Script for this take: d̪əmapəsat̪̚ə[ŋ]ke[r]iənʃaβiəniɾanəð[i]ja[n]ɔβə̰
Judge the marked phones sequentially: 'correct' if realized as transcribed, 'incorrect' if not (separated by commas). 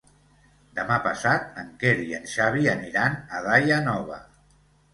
correct, incorrect, incorrect, correct